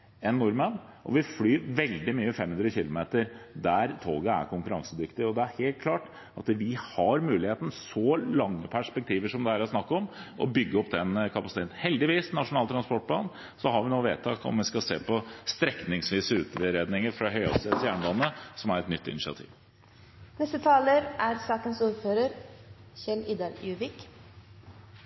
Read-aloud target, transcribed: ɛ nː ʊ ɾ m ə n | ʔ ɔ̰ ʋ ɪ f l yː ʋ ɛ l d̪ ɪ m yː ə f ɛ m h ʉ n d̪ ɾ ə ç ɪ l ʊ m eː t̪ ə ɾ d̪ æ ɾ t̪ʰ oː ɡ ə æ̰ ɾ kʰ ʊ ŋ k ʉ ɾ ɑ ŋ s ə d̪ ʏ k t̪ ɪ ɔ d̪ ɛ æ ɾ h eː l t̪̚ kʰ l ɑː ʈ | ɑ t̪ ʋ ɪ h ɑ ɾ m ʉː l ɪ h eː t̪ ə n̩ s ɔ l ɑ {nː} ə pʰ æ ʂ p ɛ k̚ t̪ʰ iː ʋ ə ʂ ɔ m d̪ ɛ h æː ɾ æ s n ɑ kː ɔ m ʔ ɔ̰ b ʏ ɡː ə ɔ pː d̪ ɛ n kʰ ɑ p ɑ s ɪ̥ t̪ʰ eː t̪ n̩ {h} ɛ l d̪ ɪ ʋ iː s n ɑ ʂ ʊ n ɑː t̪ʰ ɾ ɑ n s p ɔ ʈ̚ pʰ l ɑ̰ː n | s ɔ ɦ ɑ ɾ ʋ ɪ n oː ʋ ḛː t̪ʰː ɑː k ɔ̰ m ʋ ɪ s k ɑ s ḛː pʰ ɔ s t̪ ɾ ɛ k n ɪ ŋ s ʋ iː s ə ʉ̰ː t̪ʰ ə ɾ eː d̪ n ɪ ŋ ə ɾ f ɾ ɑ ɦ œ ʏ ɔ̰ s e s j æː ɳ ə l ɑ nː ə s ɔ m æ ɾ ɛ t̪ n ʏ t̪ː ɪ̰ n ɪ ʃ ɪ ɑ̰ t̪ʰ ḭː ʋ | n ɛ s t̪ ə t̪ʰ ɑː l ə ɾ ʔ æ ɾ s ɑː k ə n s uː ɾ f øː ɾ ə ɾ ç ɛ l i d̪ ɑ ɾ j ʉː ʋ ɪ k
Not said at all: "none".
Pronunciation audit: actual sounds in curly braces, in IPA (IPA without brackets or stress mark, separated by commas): ŋː, h